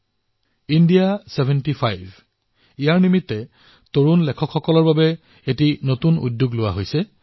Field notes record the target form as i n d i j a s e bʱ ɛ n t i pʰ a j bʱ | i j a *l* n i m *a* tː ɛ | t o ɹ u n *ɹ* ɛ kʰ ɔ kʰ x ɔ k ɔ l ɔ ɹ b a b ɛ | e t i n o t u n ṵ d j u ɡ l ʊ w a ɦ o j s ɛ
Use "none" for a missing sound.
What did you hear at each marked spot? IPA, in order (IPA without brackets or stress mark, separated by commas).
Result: ɹ, i, l